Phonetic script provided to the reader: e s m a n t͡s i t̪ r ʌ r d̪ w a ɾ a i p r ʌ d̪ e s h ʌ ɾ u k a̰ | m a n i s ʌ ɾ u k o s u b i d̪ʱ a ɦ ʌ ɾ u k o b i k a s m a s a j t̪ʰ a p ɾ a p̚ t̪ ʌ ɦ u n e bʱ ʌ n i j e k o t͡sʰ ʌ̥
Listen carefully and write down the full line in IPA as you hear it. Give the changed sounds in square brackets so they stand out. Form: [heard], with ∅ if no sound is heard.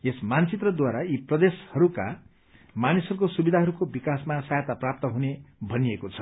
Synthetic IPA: e s m a n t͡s i t̪ r ʌ [∅] d̪ w a ɾ a i p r ʌ d̪ e s h ʌ ɾ u k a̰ | m a n i s ʌ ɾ u k o s u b i d̪ʱ a ɦ ʌ ɾ u k o b i k a s m a s a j [t̪] a p [r] a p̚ t̪ ʌ ɦ u n e bʱ ʌ n i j e k o t͡sʰ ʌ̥